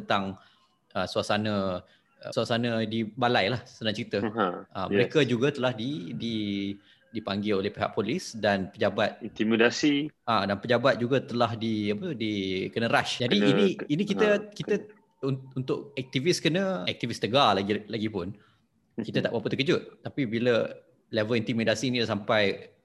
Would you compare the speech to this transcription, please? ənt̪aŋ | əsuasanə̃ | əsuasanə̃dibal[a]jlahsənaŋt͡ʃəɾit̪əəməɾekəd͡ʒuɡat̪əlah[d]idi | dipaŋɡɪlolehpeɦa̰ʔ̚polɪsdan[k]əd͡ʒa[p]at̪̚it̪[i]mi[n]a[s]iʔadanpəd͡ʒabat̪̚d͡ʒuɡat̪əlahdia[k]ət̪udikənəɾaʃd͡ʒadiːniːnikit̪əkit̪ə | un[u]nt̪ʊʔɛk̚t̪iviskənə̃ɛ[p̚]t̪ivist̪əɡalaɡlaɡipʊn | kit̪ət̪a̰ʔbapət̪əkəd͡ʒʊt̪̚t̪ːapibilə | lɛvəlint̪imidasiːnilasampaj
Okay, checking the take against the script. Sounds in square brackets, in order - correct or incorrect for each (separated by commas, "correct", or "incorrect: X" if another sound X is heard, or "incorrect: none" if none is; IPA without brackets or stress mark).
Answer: correct, correct, incorrect: p, incorrect: b, correct, incorrect: d, correct, incorrect: p, correct, incorrect: k̚